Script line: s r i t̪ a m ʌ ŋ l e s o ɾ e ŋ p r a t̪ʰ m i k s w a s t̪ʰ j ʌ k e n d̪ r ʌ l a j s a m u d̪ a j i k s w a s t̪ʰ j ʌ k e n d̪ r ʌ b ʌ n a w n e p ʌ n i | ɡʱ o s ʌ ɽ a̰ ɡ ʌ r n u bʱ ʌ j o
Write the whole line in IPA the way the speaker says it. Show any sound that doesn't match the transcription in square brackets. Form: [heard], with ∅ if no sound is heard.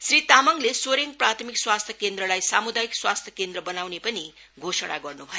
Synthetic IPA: s r i t̪ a m ʌ ŋ l e s o ɾ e ŋ p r a t̪ʰ m i k s w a s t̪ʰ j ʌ k e n d̪ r ʌ l a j s a m u d̪ a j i k s w a s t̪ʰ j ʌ k e n d̪ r ʌ b ʌ n a w n e p ʌ n i | ɡʱ o s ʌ ɽ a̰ ɡ ʌ r n u bʱ ʌ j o

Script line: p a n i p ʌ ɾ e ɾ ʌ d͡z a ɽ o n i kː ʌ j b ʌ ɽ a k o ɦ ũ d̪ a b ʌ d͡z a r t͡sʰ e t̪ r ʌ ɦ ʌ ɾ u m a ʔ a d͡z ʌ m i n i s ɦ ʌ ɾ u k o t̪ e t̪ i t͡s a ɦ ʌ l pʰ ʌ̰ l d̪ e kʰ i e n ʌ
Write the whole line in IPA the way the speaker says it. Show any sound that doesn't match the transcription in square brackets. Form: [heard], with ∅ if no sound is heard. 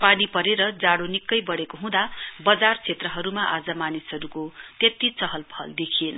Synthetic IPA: p a n i p ʌ ɾ e ɾ ʌ d͡z a ɽ o n i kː ʌ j b ʌ ɽ [e] k o ɦ ũ d̪ a b ʌ d͡z a r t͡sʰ e t̪ r ʌ ɦ ʌ ɾ u m a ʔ a d͡z ʌ m [a] n i s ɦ ʌ ɾ u k o t̪ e t̪ i t͡s [ʌ] ɦ ʌ l pʰ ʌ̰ l d̪ e kʰ i e n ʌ

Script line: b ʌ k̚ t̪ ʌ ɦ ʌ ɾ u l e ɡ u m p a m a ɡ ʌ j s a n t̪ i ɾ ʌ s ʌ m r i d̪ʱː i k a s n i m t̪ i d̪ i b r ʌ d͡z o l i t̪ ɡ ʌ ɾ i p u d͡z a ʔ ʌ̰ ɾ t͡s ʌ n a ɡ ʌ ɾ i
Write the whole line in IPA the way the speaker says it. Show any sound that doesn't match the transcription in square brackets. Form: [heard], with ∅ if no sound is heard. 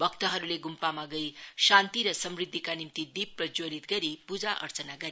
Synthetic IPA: b ʌ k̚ t̪ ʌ ɦ ʌ ɾ u l e ɡ u m p a m a ɡ ʌ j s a n t̪ i ɾ ʌ s ʌ m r i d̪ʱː i k a [∅] n i m t̪ i d̪ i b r ʌ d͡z o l i t̪ ɡ ʌ ɾ i p u d͡z a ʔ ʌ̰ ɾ t͡s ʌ n a ɡ ʌ ɾ i

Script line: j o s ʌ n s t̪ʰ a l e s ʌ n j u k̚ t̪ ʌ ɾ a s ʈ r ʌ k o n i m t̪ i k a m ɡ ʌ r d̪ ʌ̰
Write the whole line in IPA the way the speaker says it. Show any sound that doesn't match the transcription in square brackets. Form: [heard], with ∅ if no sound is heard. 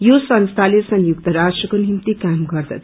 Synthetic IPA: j o s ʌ n s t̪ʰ a l e s ʌ n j u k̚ t̪ ʌ ɾ a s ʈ r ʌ k o n i m t̪ i k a m ɡ ʌ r d̪ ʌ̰

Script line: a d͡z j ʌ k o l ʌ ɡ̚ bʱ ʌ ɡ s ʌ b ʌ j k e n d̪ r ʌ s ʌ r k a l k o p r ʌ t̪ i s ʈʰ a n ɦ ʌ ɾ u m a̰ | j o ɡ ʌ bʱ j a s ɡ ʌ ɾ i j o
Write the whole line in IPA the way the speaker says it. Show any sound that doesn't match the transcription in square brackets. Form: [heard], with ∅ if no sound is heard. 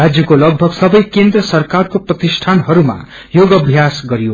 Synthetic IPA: a d͡z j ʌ k o l ʌ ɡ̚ bʱ ʌ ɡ s ʌ b ʌ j k e n d̪ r ʌ s ʌ r k a [r] k o p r ʌ t̪ i s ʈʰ a n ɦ ʌ ɾ u m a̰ | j o ɡ ʌ bʱ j a s ɡ ʌ ɾ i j o

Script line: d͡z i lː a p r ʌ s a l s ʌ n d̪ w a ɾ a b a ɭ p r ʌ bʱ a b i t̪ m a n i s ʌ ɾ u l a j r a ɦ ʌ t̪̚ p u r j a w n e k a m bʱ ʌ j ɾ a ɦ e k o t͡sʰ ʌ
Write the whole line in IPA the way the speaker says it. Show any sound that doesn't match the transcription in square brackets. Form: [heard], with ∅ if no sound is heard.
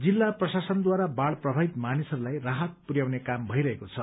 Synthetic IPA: d͡z i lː a p r ʌ s a [∅] s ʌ n d̪ w a ɾ a b a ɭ p r ʌ bʱ a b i t̪ m a n i s ʌ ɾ u l a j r a ɦ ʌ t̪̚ p u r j a w n e k a m bʱ ʌ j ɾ [ʌ] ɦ e k o t͡sʰ ʌ

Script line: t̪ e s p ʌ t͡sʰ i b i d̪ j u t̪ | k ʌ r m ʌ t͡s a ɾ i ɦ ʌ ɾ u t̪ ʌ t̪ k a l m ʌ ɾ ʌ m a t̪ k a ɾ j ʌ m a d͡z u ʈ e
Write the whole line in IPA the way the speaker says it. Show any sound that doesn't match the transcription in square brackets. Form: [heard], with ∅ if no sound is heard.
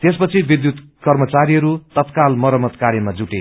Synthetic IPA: t̪ e s p ʌ t͡sʰ i b i d̪ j u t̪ | k ʌ r m ʌ t͡s a ɾ i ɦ ʌ ɾ u t̪ ʌ t̪ k a l m ʌ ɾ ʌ m [ʌ] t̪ k a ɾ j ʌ m a d͡z u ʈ e

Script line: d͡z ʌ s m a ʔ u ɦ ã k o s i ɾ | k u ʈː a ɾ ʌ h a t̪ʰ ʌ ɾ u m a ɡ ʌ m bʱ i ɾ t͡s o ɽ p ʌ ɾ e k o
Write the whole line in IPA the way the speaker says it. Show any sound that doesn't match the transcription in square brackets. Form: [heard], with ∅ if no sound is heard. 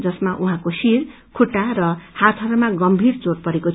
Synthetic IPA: d͡z ʌ s m a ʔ u ɦ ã k o s i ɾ | [kʰ] u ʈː a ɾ ʌ h a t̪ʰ ʌ ɾ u m a ɡ ʌ m bʱ i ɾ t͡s o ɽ p ʌ ɾ e k o

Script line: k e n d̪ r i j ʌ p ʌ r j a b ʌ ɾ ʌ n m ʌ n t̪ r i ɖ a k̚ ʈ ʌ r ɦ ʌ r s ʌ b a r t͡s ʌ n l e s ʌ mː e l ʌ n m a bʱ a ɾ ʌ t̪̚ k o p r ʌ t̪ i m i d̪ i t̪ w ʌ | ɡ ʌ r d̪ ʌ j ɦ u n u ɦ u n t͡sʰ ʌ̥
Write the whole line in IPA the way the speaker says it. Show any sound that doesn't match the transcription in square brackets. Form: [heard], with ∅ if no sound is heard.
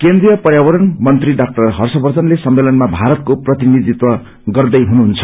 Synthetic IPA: k e n d̪ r i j ʌ p ʌ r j a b ʌ ɾ ʌ n m ʌ n t̪ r i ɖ a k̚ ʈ ʌ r ɦ ʌ r s ʌ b [ʌ] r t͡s ʌ n l e s ʌ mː e l ʌ n m a bʱ a ɾ ʌ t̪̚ k o p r ʌ t̪ i [n] i d̪ i t̪ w ʌ | ɡ ʌ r d̪ ʌ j ɦ u n u ɦ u n t͡sʰ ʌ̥

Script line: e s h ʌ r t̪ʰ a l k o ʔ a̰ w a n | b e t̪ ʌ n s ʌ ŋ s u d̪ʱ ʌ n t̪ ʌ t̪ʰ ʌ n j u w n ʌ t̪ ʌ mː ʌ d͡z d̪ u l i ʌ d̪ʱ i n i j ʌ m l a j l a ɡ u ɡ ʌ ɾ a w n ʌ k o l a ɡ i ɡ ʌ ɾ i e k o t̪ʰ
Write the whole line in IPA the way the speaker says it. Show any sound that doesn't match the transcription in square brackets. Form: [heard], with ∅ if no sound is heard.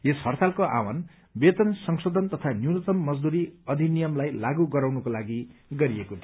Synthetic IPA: e s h ʌ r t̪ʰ a l k o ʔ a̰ w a n | b e t̪ ʌ n s ʌ ŋ s [o] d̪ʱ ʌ n t̪ ʌ t̪ʰ [a] n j u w n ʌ t̪ ʌ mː ʌ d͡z d̪ u [ɾ] i ʌ d̪ʱ i n i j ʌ m l a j l a ɡ u ɡ ʌ ɾ a w n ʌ k o l a ɡ i ɡ ʌ ɾ i e k o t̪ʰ

